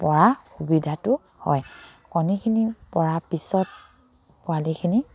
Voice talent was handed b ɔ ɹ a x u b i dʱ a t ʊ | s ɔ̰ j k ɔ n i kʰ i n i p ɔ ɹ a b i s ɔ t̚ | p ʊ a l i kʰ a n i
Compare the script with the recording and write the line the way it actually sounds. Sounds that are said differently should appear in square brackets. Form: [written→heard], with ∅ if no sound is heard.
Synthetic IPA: [b→p] ɔ ɹ a x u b i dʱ a t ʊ | [s→h] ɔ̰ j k ɔ n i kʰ i n i p ɔ ɹ a [b→p] i s ɔ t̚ | p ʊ a l i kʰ [a→i] n i